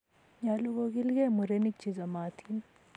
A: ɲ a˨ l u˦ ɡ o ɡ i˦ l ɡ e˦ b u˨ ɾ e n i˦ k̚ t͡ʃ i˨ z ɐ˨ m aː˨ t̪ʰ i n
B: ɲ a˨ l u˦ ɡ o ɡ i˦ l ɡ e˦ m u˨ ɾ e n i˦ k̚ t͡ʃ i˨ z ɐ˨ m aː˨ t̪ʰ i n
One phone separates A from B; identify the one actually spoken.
B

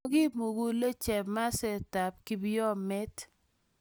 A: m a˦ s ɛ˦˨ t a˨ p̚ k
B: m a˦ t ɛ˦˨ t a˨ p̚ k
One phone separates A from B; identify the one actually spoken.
A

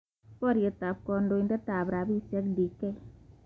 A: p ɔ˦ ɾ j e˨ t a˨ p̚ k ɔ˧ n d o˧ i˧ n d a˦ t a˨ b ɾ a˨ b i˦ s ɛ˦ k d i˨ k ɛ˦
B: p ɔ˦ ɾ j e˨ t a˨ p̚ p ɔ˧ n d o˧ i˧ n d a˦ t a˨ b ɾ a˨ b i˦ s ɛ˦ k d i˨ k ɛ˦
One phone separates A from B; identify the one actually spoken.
A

